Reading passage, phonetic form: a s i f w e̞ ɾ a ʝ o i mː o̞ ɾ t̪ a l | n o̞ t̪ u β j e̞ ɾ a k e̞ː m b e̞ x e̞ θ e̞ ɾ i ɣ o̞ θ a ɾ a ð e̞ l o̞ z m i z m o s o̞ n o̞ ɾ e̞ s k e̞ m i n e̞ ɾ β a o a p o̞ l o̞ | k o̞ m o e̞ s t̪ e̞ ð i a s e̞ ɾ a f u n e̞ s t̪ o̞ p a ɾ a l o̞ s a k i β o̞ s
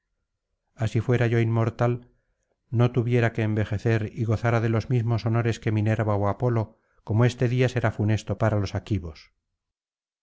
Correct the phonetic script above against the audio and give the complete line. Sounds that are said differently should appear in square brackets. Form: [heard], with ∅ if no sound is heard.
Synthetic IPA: a s i f w e̞ ɾ a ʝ o i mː o̞ ɾ t̪ a l | n o̞ t̪ u β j e̞ ɾ a k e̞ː m b e̞ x e̞ θ e̞ ɾ i ɣ o̞ θ a ɾ a ð e̞ l o̞ z m i z m o s o̞ n o̞ ɾ e̞ s k e̞ m i n e̞ ɾ β a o a p o̞ l o̞ | k o̞ m o e̞ s t̪ e̞ ð i a s e̞ ɾ a f u n e̞ s t̪ o̞ p a ɾ a l o̞ s a k i β o̞ s